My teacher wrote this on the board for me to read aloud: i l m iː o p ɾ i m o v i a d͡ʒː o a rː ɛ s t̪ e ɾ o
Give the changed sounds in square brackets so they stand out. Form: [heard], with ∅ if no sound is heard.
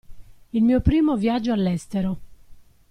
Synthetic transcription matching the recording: i l m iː o p ɾ [iː] m o v [j] a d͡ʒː o a [lː] ɛ s t̪ e ɾ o